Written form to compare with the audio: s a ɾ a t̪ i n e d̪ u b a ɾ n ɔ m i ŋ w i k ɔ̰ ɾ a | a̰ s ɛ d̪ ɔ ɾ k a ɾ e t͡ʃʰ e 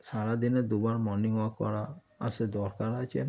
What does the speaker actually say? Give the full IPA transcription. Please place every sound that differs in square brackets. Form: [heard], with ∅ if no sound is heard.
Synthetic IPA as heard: s a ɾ a [d̪] i n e d̪ u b a ɾ [m] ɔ [n] i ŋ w [a] k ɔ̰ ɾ a | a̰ s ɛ d̪ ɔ ɾ k a ɾ [a] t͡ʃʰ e

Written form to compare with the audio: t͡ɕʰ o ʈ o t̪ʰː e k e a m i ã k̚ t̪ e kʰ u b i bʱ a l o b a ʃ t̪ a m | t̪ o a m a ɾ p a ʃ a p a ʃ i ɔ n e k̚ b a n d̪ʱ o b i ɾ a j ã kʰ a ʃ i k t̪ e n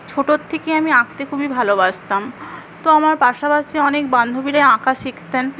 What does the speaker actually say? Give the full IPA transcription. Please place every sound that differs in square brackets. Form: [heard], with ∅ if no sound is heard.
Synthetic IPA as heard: t͡ɕʰ o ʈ o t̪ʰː e k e a m i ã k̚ t̪ e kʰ u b i bʱ a l o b a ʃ t̪ a m | t̪ o a m a ɾ p a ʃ a p a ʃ i ɔ n e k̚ b a n d̪ʱ o b i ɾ a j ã [k] a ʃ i k t̪ e n

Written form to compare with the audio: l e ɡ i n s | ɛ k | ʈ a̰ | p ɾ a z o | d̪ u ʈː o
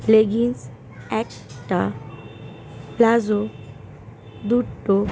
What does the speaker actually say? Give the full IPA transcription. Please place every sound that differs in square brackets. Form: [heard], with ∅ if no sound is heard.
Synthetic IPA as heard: l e ɡ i n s | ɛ k | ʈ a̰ | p [l] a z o | d̪ u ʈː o

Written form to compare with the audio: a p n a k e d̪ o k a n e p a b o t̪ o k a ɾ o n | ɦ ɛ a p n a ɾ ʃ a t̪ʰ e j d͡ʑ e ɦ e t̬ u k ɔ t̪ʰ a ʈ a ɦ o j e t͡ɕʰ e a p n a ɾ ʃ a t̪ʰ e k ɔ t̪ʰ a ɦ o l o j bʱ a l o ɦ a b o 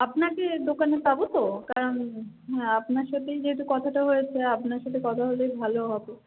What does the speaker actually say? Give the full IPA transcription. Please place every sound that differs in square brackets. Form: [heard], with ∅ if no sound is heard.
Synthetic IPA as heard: a p n a k e d̪ o k a n e p a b o t̪ o k a ɾ o n | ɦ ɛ a p n a ɾ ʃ a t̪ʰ e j d͡ʑ e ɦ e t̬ u k ɔ t̪ʰ a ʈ a ɦ o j e t͡ɕʰ e a p n a ɾ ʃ a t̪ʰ e k ɔ t̪ʰ a ɦ o l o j bʱ a l o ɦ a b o

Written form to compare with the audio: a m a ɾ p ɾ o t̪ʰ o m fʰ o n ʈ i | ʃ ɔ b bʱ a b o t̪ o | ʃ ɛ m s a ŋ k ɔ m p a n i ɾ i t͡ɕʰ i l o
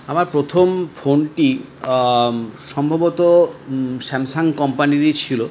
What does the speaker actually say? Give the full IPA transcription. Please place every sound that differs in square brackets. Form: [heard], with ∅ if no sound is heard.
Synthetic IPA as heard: a m a ɾ p ɾ o t̪ʰ o m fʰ o n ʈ i | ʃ ɔ [m] bʱ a b o t̪ o | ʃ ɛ m s a ŋ k ɔ m p a n i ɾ i t͡ɕʰ i l o

